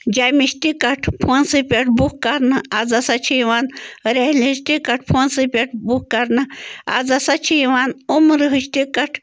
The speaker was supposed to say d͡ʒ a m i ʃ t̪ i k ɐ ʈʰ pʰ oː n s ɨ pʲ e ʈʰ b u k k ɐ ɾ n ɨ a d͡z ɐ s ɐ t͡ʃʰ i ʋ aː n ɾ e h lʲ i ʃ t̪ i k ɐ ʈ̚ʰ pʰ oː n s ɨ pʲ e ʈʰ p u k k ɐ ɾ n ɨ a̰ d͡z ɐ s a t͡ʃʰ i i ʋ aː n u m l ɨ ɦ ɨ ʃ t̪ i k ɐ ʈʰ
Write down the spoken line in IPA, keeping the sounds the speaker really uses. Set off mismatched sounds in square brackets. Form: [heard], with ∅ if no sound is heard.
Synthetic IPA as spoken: d͡ʒ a m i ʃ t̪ i k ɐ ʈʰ pʰ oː n s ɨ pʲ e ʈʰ b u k k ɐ ɾ n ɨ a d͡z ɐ s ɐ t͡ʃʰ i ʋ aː n ɾ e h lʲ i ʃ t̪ i k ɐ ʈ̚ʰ pʰ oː n s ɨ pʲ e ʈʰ [b] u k k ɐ ɾ n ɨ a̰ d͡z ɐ s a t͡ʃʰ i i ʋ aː n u m [ɾ] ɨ ɦ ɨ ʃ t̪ i k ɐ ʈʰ